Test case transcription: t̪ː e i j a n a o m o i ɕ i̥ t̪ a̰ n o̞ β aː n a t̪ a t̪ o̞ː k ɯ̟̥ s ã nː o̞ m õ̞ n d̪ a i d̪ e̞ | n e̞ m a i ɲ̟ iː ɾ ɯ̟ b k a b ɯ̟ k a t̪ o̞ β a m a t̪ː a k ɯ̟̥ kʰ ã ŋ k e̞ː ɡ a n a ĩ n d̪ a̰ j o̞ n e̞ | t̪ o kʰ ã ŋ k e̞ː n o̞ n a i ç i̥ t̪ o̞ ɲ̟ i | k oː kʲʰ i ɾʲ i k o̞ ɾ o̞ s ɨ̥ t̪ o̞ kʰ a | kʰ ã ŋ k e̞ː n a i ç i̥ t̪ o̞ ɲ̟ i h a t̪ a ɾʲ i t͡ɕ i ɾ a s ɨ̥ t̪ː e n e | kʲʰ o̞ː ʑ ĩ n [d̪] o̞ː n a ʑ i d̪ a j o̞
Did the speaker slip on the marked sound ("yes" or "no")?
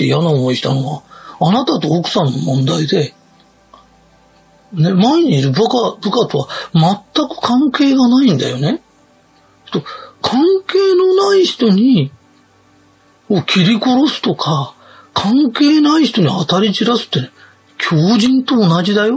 yes